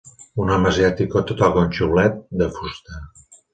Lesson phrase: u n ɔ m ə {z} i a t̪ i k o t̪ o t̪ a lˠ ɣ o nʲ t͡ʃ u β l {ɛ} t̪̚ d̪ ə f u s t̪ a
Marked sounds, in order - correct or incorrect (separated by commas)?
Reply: correct, correct